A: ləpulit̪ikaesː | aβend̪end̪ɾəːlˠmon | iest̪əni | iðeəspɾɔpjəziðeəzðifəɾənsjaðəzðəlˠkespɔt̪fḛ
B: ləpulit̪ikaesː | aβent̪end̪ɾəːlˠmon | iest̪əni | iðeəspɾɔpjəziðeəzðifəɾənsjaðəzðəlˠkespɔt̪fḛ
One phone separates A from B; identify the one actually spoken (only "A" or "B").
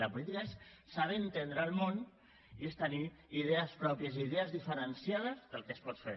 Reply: B